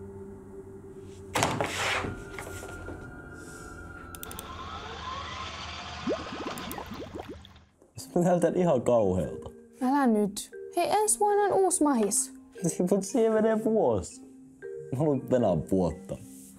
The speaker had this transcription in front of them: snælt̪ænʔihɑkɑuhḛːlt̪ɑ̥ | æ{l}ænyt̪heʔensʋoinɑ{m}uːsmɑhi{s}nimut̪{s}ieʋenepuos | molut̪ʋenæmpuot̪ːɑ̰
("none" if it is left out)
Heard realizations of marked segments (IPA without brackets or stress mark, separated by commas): l, n, s, s